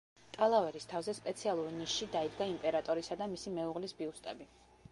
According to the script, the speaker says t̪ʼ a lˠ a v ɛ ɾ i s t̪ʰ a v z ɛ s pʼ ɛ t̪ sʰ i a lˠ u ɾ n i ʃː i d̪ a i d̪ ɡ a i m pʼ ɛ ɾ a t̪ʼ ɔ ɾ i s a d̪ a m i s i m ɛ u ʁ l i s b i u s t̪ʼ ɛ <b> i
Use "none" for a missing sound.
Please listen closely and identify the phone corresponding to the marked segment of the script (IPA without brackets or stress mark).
b